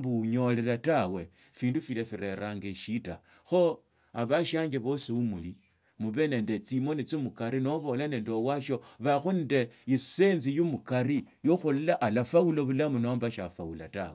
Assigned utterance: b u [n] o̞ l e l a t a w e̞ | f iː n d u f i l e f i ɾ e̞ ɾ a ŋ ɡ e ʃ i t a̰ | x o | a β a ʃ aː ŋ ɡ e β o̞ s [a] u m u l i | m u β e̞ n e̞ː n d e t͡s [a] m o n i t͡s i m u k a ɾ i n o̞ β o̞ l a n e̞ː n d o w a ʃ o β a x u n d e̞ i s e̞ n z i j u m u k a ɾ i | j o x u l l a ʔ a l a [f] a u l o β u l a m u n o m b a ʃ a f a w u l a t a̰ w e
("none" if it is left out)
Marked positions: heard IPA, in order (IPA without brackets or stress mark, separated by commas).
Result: ɲ, i, i, f